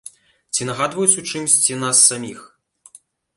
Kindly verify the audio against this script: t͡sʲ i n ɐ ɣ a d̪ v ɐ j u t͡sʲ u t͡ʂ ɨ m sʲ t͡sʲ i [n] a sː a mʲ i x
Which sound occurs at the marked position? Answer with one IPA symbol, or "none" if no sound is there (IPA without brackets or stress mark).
n